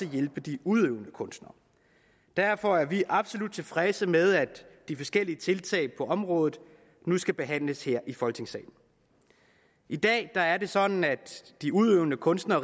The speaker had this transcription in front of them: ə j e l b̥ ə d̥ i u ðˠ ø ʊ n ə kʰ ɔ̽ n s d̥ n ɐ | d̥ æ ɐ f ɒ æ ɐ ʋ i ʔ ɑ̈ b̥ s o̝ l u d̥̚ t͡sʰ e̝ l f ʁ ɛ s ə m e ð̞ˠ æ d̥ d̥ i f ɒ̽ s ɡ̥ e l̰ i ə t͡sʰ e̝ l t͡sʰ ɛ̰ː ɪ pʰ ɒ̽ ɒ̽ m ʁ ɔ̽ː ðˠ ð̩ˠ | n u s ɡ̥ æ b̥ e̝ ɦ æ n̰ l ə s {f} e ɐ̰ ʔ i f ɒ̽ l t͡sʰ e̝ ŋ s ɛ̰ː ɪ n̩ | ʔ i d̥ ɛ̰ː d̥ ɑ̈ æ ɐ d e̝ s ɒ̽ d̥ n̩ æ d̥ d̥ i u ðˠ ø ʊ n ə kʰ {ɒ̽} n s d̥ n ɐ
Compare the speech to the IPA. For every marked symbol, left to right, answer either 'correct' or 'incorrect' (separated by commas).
incorrect, incorrect